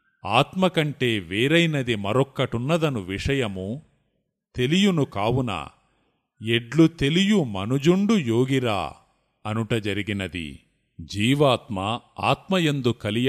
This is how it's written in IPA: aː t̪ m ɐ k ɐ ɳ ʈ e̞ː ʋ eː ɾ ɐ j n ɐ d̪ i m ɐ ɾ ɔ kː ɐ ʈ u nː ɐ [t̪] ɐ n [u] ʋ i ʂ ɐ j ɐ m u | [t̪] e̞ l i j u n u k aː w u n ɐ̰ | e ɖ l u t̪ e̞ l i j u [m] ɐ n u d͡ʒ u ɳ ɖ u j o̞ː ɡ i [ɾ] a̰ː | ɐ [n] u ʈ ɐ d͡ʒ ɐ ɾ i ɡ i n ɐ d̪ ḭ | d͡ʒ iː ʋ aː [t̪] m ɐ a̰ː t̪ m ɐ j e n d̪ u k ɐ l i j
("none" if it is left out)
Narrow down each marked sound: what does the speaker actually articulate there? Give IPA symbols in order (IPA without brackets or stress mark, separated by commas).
d̪, u, t̪, m, ɾ, n, t̪